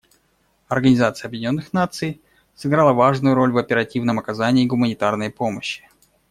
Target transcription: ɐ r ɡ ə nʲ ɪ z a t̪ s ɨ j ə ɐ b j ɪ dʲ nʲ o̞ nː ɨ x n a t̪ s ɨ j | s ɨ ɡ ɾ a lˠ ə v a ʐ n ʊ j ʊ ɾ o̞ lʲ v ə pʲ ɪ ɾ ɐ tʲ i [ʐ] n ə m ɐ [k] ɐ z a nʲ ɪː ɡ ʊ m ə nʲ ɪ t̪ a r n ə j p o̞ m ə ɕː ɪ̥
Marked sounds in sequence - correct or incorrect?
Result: incorrect: v, correct

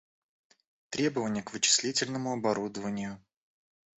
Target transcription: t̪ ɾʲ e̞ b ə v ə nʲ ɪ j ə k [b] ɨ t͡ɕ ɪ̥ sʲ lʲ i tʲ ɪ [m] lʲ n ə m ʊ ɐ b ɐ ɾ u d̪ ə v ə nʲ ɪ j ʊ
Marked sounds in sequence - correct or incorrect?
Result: incorrect: v, incorrect: none

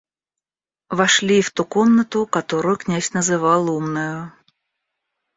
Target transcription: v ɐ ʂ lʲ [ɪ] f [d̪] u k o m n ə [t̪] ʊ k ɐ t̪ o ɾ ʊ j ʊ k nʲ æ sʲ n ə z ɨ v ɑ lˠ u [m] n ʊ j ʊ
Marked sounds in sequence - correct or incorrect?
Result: incorrect: i, incorrect: t̪, correct, correct

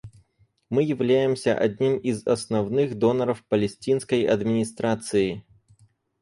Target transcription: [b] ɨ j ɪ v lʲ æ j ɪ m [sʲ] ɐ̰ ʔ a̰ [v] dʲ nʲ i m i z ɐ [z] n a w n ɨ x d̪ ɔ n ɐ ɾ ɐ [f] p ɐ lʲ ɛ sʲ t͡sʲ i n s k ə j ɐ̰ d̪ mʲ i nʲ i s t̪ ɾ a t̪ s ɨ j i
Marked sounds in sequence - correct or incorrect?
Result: incorrect: m, correct, incorrect: none, incorrect: s, correct

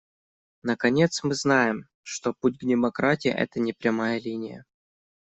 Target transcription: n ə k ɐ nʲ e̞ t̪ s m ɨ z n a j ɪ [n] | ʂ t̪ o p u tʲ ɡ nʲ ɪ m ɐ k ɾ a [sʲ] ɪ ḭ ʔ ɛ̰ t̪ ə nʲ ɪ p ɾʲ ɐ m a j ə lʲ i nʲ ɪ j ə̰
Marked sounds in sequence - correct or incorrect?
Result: incorrect: m, incorrect: tʲ

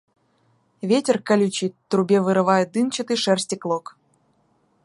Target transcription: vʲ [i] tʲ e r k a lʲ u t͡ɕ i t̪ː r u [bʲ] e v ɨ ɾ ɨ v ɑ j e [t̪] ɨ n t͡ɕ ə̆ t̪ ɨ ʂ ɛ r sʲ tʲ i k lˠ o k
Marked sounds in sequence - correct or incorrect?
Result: incorrect: e, correct, incorrect: d̪

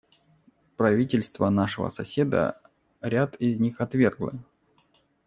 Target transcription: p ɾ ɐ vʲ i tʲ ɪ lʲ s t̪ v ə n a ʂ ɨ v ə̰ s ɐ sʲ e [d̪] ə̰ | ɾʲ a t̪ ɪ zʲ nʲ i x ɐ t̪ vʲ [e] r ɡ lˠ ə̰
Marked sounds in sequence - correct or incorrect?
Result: correct, correct

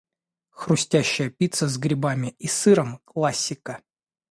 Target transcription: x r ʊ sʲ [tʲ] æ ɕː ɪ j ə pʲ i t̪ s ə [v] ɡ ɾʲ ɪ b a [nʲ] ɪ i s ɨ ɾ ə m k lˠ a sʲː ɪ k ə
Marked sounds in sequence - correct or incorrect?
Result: correct, incorrect: z, incorrect: mʲ

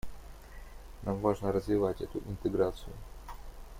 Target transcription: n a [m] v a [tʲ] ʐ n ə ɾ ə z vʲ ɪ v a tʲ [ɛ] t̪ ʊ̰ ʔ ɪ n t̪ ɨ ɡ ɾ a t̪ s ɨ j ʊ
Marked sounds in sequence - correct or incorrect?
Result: correct, incorrect: none, correct

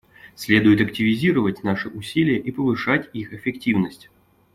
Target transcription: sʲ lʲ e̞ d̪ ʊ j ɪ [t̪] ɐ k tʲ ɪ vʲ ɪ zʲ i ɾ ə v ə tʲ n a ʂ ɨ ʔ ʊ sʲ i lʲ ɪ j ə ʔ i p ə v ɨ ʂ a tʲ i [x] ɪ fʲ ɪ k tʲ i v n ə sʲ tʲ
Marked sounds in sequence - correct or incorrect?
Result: correct, correct

